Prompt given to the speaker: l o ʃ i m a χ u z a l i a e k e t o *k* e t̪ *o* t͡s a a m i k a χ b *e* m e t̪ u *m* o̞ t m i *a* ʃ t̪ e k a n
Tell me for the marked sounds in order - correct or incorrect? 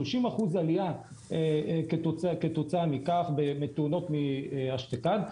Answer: correct, correct, correct, incorrect: n, correct

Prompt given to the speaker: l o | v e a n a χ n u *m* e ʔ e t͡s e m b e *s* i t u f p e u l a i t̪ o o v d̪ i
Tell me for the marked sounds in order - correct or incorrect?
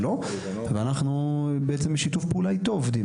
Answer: incorrect: b, incorrect: ʃ

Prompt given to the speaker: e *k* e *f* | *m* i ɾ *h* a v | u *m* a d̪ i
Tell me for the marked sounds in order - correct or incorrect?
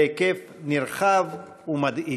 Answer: correct, correct, incorrect: n, incorrect: χ, correct

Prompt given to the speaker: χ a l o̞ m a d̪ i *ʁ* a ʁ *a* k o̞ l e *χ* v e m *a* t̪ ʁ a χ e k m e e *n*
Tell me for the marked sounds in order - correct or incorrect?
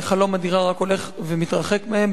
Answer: correct, correct, correct, incorrect: i, incorrect: m

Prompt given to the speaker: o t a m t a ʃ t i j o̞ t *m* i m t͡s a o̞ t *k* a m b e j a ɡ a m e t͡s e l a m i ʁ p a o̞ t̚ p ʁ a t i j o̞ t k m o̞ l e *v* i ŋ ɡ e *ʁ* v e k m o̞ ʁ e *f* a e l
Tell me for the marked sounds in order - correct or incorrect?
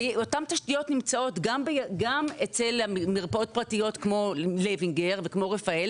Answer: incorrect: n, incorrect: ɡ, correct, correct, correct

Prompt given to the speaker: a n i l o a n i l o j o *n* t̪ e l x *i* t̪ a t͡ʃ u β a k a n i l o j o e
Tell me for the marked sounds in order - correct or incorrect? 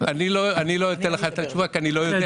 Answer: incorrect: none, incorrect: a

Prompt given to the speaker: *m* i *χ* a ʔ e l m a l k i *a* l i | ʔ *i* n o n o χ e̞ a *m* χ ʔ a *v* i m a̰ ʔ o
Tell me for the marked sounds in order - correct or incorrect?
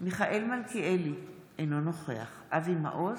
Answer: correct, correct, incorrect: e, incorrect: e, incorrect: none, correct

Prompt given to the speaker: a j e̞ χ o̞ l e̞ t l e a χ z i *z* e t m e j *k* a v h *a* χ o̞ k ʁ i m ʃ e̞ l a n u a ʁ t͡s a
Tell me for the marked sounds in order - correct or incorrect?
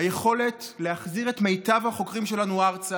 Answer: incorrect: ʁ, incorrect: t, correct

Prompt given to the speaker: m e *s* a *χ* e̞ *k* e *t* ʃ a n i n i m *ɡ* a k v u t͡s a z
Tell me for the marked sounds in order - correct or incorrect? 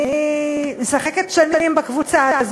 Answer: correct, correct, correct, correct, incorrect: b

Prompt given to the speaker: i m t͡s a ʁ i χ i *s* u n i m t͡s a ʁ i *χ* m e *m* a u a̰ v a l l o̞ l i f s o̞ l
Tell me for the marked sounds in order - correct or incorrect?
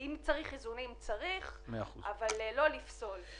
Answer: incorrect: z, correct, incorrect: none

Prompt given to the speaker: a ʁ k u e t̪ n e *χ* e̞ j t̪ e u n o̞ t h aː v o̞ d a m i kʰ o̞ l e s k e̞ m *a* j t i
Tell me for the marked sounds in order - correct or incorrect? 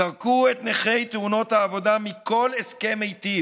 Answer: correct, incorrect: e

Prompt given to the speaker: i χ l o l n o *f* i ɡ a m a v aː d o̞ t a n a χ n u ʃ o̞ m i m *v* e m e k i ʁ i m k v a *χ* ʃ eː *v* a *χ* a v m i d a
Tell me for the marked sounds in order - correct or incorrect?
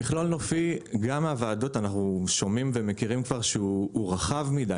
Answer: correct, correct, incorrect: ʁ, incorrect: ʁ, correct

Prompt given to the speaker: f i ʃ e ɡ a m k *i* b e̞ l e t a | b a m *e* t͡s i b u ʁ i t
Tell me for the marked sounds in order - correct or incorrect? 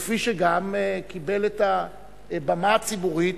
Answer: correct, incorrect: a

